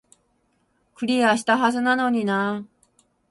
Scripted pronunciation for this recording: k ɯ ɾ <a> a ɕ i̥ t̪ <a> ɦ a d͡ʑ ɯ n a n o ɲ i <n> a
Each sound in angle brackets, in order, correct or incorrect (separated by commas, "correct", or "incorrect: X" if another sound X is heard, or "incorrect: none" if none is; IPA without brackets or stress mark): incorrect: i, correct, correct